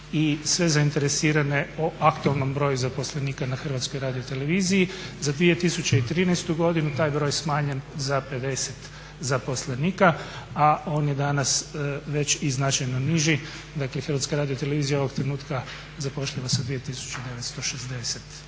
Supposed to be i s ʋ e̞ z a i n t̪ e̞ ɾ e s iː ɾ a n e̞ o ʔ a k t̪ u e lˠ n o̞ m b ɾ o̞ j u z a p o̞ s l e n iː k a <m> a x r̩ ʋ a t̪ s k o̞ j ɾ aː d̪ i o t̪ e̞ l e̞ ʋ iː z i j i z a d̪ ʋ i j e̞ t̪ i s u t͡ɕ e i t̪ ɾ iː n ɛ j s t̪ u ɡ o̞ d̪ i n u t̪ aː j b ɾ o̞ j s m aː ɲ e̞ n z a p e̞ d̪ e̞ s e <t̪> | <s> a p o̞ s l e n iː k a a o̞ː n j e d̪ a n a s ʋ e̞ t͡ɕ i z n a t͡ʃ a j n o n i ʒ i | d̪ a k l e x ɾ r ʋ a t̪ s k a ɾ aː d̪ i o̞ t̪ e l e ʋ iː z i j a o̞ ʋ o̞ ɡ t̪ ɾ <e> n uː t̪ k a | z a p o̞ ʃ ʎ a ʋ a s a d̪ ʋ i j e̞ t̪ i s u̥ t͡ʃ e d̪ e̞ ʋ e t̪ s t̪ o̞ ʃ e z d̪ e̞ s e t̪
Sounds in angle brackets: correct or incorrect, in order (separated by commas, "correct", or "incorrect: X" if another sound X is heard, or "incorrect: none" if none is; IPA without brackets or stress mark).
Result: incorrect: n, correct, incorrect: z, correct